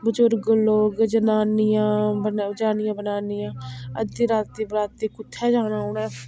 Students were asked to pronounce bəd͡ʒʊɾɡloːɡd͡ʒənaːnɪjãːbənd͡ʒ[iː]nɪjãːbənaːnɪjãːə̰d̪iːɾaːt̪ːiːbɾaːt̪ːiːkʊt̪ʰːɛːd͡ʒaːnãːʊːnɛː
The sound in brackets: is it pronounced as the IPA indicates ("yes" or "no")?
no